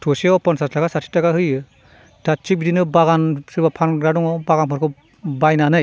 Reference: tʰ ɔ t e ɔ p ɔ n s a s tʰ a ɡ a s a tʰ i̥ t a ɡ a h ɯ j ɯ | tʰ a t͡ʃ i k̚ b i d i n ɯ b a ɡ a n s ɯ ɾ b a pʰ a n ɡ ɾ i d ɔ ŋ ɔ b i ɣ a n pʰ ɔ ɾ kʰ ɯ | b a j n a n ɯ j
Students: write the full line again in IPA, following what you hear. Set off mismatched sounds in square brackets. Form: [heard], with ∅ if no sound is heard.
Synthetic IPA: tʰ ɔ [s] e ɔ p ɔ n s a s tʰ a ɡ a s a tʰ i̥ t a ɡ a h ɯ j ɯ | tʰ a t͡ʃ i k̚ b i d i n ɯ b a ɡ a n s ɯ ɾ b a pʰ a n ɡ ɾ [a] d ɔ ŋ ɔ b [a] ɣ a n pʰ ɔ ɾ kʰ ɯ | b a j n a n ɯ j

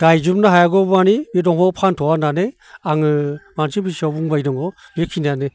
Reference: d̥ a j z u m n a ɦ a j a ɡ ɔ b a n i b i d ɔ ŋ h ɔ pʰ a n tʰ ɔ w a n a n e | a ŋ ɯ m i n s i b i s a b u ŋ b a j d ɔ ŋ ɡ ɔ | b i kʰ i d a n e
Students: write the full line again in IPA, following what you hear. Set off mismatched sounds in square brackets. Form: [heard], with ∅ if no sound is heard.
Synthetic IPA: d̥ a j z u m n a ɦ a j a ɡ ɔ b a n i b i d ɔ ŋ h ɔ pʰ a n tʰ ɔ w a n a n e | a ŋ ɯ m [a] n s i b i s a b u ŋ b a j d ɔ ŋ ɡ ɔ | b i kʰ i [n] a n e

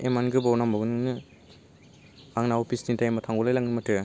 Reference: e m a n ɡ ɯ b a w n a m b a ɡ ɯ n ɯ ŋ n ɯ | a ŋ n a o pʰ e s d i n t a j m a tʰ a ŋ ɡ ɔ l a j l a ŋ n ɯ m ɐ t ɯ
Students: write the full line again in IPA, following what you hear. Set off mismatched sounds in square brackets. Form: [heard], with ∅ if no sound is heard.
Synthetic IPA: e m a n ɡ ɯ b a w n a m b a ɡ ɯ n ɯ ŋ n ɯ | a ŋ n a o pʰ [i] s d i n t a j m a tʰ a ŋ ɡ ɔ l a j l a ŋ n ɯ m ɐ t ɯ

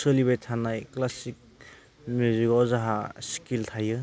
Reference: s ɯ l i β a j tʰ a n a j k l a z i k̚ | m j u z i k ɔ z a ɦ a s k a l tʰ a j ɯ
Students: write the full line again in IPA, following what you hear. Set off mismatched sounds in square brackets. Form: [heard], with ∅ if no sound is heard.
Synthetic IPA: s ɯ l i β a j tʰ a n a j k l a [s] i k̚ | m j u z i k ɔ z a ɦ a s k [i] l tʰ a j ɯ

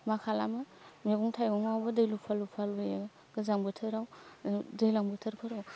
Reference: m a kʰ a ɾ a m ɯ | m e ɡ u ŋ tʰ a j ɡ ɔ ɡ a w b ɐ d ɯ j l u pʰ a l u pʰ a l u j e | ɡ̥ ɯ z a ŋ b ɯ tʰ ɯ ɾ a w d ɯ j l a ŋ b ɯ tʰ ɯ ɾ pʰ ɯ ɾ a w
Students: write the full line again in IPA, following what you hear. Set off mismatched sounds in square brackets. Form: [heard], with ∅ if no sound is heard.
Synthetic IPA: m a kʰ a [l] a m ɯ | m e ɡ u ŋ tʰ a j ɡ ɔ [ŋ] a w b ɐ d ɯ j l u pʰ a l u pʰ a l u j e | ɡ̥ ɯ z a ŋ b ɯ tʰ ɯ ɾ a w d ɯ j l a ŋ b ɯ tʰ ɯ ɾ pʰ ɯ ɾ a w

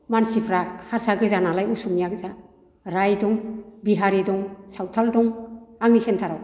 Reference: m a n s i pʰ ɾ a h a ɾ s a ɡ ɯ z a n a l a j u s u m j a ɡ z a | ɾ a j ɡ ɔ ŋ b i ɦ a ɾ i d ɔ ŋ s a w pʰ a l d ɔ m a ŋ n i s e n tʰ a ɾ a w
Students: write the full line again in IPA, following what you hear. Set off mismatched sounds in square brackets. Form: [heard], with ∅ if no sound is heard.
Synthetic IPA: m a n s i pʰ ɾ a h a ɾ s a ɡ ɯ z a n a l a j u s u m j a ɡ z a | ɾ a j [d] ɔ ŋ b i ɦ a ɾ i d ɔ ŋ s a w [tʰ] a l d ɔ [ŋ] a ŋ n i s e n tʰ a ɾ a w

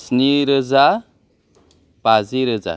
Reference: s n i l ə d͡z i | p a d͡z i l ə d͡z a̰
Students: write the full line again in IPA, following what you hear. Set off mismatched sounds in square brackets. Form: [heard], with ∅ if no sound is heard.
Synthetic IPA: s n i [ɾ] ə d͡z [a] | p a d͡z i [ɾ] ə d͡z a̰

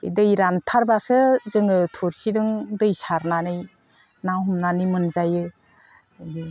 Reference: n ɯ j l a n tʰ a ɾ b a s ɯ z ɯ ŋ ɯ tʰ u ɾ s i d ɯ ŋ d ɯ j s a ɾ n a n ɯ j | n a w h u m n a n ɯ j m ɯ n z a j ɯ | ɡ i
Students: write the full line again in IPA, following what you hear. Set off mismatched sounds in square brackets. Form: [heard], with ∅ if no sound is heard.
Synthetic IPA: [d] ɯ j [ɾ] a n tʰ a ɾ b a s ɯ z ɯ ŋ ɯ tʰ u ɾ s i d ɯ ŋ d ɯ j s a ɾ n a n ɯ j | n a w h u m n a n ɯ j m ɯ n z a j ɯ | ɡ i

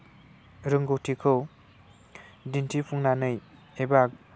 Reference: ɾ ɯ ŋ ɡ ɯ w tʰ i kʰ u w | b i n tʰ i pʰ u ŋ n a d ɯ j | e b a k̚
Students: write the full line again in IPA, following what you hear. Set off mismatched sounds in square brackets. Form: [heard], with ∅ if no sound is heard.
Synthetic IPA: ɾ ɯ ŋ ɡ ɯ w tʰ i kʰ [ɯ] w | [d] i n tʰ i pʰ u ŋ n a [n] ɯ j | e b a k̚

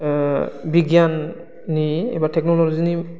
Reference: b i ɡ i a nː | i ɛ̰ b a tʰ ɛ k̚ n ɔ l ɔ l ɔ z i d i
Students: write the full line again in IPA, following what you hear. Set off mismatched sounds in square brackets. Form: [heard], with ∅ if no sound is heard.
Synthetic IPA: b i ɡ [j] a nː | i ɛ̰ b a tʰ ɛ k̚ n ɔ l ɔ l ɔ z i [n] i

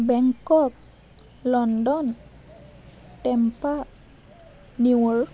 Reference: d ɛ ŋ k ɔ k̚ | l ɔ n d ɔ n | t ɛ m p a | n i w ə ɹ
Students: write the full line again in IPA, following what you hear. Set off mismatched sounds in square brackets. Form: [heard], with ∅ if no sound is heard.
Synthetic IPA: [b] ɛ ŋ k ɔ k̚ | l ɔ n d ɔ n | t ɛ m p a | n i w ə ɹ

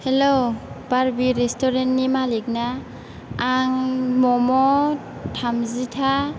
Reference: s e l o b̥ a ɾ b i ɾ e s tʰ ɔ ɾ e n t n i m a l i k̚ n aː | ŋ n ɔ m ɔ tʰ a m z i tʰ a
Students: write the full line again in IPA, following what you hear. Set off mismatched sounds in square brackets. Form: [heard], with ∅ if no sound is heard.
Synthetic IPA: [h] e l o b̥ a ɾ b i ɾ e s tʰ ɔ ɾ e n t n i m a l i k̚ n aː | ŋ [m] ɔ m ɔ tʰ a m z i tʰ a

